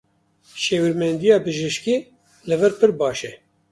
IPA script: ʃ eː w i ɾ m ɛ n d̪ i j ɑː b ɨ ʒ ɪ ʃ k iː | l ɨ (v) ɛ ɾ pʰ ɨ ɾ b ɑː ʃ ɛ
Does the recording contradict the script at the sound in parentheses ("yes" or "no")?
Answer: no